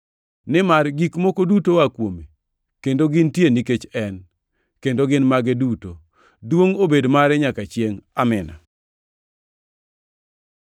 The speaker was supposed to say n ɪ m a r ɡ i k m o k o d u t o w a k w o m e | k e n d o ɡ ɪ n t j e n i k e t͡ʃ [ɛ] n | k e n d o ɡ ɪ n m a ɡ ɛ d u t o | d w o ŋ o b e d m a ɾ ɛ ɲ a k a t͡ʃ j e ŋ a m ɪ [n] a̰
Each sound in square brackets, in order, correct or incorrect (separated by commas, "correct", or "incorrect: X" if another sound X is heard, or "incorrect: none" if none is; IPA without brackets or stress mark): correct, correct